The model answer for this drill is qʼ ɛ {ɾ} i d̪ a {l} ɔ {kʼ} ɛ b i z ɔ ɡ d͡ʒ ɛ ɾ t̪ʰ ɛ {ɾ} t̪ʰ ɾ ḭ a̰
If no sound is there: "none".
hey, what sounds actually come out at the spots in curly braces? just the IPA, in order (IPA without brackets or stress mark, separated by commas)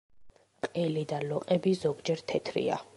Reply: l, l, qʼ, none